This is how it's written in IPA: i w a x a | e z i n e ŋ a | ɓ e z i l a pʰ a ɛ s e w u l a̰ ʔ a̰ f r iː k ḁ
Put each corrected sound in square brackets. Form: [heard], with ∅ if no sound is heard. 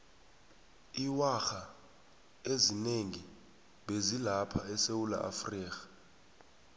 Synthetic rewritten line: i w a x a | e z i n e ŋ [i] | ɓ e z i l a pʰ a ɛ s e w u l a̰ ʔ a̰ f r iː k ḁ